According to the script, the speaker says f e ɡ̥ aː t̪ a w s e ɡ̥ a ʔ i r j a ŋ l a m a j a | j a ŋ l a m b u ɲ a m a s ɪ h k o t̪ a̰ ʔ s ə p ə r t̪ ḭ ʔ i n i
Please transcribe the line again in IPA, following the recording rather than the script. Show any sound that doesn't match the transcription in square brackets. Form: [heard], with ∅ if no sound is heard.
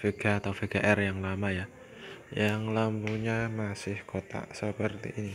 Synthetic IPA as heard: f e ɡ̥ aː t̪ a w [f] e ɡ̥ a ʔ [ɛ] r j a ŋ l a m a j a | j a ŋ l a m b u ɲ a m a s ɪ h k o t̪ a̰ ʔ s ə p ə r t̪ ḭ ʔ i n i